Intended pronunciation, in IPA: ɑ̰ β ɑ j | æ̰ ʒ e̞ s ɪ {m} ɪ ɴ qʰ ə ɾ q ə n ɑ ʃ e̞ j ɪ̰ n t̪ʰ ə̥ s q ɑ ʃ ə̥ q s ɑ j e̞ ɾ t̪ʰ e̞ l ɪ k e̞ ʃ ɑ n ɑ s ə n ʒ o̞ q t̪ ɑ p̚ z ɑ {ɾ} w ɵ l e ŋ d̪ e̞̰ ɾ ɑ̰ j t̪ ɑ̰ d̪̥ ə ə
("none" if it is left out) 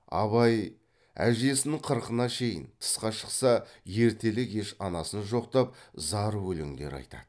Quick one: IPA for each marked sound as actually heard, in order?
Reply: n, ɾ

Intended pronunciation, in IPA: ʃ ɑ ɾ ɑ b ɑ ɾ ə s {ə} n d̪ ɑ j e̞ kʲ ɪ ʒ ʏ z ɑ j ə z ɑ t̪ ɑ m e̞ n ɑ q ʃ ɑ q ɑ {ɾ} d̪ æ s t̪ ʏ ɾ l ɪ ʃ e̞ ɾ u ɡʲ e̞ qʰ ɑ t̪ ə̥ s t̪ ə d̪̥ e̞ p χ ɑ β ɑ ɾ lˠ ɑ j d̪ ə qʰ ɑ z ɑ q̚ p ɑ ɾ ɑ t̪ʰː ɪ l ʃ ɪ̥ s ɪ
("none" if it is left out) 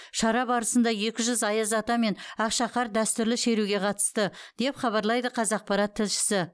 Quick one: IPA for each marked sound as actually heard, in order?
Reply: ə, ɾ

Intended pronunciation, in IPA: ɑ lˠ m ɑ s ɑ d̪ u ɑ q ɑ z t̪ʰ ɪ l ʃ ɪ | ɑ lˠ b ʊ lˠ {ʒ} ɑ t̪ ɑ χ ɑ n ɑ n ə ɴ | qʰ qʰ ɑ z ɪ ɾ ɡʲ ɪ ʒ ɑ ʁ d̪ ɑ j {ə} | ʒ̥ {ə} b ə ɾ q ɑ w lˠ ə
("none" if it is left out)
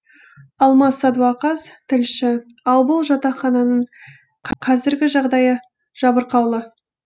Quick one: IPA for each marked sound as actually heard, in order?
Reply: ʒ, ə, ɑ

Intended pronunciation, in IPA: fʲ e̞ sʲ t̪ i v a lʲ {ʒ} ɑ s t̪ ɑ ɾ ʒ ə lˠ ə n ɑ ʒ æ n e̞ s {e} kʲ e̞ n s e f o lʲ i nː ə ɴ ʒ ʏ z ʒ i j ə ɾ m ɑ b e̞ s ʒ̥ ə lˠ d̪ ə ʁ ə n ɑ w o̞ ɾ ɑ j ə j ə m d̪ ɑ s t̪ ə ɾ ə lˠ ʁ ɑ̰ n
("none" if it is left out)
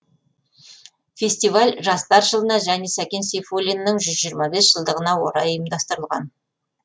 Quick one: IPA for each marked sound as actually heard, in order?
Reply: ʒ, æ

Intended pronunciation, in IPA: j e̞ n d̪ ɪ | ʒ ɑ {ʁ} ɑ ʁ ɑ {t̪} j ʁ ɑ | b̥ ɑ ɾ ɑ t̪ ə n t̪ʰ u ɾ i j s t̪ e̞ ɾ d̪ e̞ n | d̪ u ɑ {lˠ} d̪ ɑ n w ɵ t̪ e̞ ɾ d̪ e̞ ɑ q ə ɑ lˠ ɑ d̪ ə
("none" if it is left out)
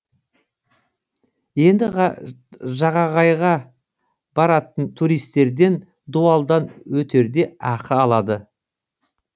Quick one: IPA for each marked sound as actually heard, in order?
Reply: ʁ, none, lˠ

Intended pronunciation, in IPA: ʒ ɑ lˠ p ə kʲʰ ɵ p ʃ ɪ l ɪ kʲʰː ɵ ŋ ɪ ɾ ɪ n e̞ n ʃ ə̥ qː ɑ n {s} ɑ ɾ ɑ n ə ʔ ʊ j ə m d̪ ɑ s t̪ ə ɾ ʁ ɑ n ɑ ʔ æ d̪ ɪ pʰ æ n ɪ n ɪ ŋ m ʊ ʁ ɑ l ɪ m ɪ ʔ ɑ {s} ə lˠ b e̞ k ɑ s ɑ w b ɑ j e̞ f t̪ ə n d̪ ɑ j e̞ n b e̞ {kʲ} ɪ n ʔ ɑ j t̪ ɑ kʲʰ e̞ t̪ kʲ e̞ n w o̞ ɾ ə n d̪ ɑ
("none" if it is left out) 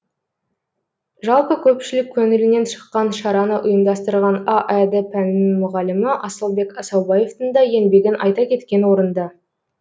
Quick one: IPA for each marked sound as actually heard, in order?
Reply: ʃ, s, ɡʲ

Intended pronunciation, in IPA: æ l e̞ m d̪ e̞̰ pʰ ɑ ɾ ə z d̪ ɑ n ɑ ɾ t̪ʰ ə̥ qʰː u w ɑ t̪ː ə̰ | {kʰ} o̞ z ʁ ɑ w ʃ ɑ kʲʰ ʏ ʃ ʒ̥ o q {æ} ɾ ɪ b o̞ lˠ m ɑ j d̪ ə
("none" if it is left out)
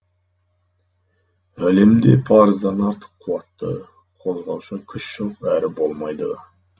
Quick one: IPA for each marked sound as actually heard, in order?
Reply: qʰ, æ

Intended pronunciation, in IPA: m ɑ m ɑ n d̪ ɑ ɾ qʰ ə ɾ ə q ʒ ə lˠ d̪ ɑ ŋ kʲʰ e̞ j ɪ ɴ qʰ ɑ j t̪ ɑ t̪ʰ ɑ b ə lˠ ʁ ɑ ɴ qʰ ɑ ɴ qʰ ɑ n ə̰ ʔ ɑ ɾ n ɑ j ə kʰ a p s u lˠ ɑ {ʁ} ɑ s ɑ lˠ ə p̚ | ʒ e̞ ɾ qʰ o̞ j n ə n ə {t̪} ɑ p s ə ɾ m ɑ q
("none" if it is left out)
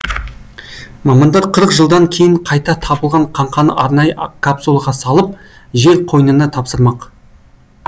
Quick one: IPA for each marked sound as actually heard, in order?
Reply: ʁ, t̪ʰ

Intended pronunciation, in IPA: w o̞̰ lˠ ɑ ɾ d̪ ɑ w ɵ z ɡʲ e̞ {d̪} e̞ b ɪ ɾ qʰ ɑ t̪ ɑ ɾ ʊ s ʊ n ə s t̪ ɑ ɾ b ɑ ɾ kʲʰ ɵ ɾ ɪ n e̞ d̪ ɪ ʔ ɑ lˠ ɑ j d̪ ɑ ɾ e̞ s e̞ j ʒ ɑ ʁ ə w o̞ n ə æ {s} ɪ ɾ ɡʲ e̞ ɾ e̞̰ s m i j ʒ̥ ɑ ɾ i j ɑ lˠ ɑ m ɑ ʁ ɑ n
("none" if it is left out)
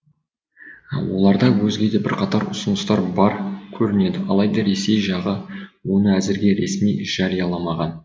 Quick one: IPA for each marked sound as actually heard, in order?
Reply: d̪, z

